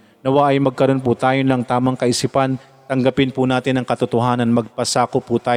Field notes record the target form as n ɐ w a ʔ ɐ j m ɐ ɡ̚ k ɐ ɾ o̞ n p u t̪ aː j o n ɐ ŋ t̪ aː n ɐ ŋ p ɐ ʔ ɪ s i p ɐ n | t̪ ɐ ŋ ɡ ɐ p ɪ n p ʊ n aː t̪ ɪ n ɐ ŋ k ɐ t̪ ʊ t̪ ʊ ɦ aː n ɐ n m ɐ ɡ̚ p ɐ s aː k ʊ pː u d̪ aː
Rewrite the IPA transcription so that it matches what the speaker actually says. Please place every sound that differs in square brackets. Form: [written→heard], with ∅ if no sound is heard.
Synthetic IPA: n ɐ w a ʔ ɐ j m ɐ ɡ̚ k ɐ ɾ o̞ n p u t̪ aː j o n ɐ ŋ t̪ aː [n→m] ɐ ŋ [p→k] ɐ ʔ ɪ s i p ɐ n | t̪ ɐ ŋ ɡ ɐ p ɪ n p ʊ n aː t̪ ɪ n ɐ ŋ k ɐ t̪ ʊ t̪ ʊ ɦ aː n ɐ n m ɐ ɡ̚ p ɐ s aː k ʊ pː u [d̪→t̪] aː